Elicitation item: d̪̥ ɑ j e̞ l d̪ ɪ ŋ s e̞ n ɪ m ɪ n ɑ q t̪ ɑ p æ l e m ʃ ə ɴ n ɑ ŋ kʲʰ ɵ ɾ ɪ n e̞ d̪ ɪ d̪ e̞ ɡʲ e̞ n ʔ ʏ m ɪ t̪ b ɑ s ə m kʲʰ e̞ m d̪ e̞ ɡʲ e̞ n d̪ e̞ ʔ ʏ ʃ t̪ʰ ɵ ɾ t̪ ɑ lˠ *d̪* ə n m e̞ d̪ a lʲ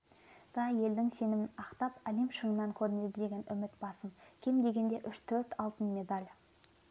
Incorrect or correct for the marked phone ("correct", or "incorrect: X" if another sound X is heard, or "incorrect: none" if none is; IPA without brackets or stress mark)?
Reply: incorrect: t̪